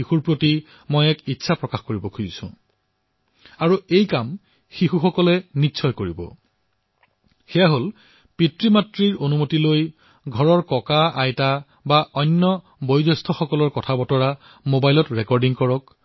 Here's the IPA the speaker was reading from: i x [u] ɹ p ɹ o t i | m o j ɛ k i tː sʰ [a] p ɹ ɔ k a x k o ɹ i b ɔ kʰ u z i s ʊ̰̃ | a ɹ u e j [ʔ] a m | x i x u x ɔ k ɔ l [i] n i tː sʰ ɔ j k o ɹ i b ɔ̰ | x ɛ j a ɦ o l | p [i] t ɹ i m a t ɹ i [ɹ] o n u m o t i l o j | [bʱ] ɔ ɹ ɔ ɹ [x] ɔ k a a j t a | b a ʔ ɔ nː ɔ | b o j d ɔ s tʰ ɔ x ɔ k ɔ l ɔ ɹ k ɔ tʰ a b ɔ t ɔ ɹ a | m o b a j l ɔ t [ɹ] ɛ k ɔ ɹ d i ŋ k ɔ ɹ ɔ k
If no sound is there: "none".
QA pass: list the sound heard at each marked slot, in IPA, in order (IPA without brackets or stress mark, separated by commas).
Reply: u, a, k, ɛ, i, ɹ, ɡʱ, k, ɹ